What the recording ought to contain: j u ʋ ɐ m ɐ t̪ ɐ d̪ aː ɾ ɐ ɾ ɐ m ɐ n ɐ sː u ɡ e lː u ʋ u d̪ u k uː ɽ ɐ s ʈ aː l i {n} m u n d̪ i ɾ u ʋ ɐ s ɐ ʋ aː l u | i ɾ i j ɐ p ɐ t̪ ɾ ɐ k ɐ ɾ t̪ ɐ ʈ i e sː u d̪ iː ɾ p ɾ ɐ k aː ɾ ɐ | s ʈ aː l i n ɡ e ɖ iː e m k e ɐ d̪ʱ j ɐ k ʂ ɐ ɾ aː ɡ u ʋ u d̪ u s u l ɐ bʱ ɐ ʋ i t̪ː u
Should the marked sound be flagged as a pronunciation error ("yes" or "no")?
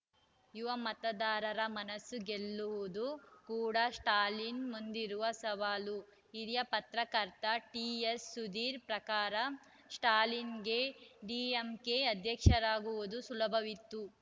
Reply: no